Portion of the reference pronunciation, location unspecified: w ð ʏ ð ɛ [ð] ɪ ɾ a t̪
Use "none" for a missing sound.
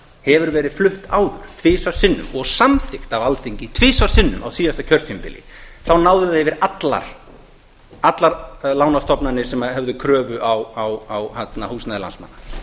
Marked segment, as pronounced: v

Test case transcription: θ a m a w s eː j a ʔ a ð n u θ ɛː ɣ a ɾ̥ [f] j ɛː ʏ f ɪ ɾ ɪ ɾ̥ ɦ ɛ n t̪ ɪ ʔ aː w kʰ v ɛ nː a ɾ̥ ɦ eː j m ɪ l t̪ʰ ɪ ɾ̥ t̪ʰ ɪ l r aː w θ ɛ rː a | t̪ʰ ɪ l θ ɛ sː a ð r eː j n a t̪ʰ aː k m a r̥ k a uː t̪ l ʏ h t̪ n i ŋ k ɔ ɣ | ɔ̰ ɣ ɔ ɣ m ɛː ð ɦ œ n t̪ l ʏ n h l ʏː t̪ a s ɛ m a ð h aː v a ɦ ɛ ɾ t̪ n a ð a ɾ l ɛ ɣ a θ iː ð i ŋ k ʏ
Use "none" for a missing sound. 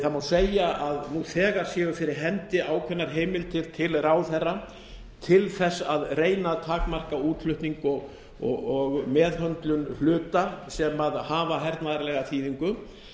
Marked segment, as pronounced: s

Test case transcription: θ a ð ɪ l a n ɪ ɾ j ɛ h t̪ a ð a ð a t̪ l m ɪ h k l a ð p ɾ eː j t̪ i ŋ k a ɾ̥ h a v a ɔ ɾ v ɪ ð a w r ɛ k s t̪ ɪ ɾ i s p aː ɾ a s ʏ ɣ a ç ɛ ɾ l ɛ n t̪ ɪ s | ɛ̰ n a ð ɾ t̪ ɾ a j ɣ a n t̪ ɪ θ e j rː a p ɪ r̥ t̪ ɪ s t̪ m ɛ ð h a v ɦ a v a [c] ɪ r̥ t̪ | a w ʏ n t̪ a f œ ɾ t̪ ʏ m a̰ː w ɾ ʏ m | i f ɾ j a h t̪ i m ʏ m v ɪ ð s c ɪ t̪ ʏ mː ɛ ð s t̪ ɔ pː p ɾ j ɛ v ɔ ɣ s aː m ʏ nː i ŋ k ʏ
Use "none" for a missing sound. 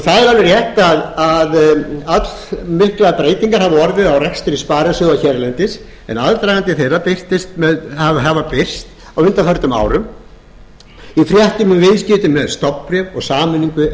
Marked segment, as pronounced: p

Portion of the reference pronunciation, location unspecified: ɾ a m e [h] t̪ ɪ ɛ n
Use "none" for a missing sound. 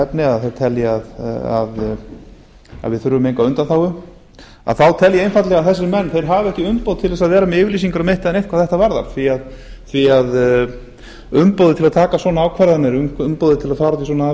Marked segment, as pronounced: h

